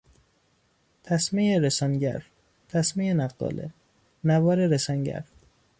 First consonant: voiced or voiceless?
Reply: voiceless